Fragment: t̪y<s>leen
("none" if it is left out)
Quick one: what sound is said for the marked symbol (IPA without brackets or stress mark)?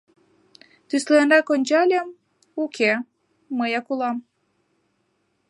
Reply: s